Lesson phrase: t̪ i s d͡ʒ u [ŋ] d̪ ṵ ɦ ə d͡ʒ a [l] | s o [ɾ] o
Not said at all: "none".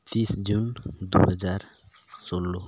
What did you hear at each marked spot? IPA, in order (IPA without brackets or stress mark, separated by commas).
n, ɾ, l